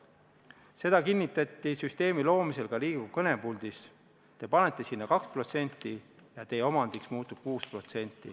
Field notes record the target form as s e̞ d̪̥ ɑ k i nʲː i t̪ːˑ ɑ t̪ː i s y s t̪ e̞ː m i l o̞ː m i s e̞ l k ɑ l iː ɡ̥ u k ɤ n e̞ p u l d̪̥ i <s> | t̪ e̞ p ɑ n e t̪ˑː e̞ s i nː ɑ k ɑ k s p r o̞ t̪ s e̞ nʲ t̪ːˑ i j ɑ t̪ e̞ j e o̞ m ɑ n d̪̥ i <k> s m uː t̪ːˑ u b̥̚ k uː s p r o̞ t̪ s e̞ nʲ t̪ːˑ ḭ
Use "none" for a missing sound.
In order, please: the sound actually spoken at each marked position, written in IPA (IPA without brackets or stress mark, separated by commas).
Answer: s, k